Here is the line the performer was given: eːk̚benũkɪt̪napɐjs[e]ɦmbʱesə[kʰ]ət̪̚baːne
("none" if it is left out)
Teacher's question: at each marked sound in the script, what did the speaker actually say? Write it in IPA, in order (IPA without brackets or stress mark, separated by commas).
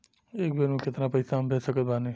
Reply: a, k